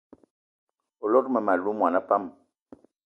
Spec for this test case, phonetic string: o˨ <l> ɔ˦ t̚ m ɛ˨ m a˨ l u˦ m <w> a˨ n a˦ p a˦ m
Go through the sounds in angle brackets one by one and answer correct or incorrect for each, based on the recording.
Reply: correct, correct

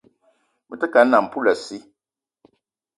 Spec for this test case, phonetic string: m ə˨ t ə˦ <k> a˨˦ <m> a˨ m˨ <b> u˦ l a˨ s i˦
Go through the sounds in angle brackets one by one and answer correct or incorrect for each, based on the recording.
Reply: correct, incorrect: n, incorrect: p

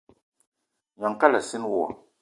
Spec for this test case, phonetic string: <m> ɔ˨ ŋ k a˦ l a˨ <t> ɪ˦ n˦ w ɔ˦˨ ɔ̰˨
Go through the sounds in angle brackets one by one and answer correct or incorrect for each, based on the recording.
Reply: incorrect: ɲ, incorrect: s

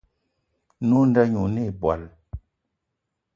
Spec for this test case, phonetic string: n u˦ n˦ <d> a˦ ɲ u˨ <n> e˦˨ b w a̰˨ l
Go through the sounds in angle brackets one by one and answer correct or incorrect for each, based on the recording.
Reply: correct, correct

